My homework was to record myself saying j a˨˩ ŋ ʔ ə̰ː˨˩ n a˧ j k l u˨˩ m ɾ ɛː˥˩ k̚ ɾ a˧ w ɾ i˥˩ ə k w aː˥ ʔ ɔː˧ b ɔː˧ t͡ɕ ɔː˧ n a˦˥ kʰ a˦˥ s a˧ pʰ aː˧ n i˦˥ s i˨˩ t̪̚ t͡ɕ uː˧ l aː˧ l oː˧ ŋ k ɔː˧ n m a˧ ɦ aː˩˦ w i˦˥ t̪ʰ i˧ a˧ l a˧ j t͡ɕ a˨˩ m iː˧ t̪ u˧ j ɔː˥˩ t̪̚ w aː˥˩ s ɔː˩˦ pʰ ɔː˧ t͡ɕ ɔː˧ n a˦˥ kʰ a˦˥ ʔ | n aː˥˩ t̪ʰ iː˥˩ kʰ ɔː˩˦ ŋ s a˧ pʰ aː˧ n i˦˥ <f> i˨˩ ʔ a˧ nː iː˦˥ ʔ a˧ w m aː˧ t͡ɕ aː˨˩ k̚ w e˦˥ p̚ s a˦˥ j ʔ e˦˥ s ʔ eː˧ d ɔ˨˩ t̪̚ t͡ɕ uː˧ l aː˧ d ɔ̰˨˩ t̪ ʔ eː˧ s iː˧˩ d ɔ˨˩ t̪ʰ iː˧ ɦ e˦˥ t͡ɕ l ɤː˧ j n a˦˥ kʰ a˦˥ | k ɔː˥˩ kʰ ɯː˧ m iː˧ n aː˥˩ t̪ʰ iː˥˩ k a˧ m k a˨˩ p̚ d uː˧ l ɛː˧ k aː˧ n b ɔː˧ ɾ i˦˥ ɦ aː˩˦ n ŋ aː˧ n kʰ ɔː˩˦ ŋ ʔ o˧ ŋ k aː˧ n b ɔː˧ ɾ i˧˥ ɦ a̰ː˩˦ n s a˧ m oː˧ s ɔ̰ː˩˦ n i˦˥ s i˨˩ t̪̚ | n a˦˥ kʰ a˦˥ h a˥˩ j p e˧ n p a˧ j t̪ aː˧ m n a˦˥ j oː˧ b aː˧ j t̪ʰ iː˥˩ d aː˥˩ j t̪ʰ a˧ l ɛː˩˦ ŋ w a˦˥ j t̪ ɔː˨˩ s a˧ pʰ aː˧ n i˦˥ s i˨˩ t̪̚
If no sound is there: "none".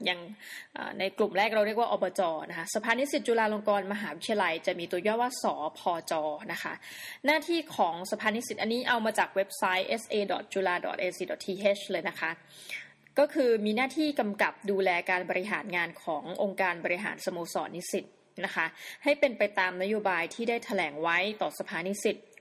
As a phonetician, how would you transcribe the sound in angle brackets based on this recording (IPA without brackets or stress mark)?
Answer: s